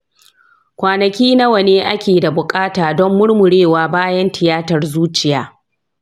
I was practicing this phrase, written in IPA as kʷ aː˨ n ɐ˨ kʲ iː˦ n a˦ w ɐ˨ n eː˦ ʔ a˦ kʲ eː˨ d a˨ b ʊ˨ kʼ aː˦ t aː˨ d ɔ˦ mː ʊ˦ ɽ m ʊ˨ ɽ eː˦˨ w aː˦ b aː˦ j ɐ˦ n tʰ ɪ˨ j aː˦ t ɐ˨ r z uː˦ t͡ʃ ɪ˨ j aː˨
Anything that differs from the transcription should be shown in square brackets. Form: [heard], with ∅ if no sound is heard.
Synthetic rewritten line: kʷ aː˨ n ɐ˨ kʲ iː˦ n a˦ w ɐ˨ n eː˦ ʔ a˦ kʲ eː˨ d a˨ b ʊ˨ kʼ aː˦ t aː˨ d ɔ˦ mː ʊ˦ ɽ m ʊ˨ ɽ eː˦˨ w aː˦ b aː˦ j ɐ˦ n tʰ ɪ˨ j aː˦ t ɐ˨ r z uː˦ t͡ʃ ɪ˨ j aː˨